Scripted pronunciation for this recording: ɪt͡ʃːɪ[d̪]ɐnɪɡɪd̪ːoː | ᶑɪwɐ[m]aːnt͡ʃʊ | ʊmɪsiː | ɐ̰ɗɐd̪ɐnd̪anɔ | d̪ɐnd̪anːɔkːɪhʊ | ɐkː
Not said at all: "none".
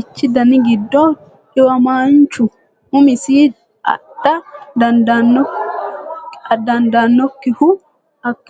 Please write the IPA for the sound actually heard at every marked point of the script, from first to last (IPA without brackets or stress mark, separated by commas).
d̪, m